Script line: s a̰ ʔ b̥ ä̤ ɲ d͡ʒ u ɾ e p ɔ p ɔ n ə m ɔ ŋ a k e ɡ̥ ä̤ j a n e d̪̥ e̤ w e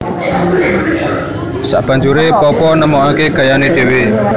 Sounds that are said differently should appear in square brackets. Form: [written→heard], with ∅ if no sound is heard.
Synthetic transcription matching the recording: s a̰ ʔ b̥ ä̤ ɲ d͡ʒ u ɾ e p ɔ p ɔ n ə m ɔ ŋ a k e ɡ̥ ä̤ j a n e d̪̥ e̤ w e

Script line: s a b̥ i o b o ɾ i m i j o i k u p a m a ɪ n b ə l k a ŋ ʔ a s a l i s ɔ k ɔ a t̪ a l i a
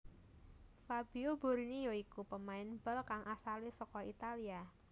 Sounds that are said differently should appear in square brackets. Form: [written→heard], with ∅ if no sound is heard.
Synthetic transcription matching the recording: [s→f] a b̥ i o b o ɾ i [m→n] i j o i k u p [a→ə] m a ɪ n b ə l k a ŋ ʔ a s a l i s ɔ k ɔ [a→i] t̪ a l i a

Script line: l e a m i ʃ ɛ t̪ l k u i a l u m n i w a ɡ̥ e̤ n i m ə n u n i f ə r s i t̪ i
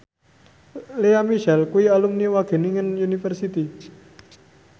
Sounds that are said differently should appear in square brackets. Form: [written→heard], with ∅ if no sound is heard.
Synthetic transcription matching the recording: l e a m i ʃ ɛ [t̪→∅] l k u i a l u m n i w a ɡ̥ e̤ n i [m→ŋ] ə n u n i f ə r s i t̪ i

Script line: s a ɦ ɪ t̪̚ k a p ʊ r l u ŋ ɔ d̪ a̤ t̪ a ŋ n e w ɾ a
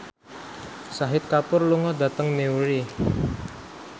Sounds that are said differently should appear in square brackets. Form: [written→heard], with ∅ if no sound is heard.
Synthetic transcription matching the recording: s a ɦ ɪ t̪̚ k a p ʊ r l u ŋ ɔ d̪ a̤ t̪ [a→ə] ŋ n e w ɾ [a→i]

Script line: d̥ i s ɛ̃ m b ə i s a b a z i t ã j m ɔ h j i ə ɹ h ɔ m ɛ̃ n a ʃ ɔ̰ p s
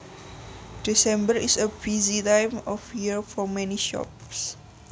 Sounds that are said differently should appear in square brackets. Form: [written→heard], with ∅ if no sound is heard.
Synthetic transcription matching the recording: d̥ i s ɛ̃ m b ə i s [a→ə] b [a→i] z i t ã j m ɔ [h→f] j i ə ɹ [h→f] ɔ m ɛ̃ n [a→i] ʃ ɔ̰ p s

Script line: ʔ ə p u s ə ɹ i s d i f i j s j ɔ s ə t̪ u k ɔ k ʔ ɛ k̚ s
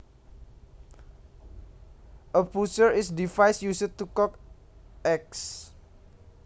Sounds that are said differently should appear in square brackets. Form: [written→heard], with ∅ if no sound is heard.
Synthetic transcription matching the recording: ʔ ə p u s ə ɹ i s d i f [i→a] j s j [ɔ→u] s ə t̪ u k ɔ k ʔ ɛ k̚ s

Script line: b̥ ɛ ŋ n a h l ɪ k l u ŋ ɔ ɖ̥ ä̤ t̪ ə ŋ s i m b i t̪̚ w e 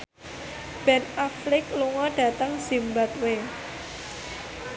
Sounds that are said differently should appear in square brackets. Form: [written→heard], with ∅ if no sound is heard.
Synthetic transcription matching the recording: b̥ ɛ [ŋ→∅] n a [h→f] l ɪ k l u ŋ ɔ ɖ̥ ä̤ t̪ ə ŋ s i m b [i→a] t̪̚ w e

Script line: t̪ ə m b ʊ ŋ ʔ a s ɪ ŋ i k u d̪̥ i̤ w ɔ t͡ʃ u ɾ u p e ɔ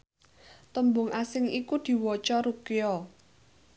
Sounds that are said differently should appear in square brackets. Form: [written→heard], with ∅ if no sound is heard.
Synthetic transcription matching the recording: t̪ ə m b ʊ ŋ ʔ a s ɪ ŋ i k u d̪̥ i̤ w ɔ t͡ʃ [u→ɔ] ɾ u [p→k] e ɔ

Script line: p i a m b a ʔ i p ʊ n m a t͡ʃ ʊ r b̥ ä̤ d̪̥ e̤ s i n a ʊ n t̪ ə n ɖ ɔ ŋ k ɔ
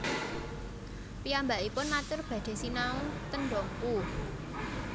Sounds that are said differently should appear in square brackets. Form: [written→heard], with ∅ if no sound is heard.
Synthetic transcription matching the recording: p i a m b a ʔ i p ʊ n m a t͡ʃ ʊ r b̥ ä̤ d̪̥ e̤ s i n a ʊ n t̪ ə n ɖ ɔ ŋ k [ɔ→u]

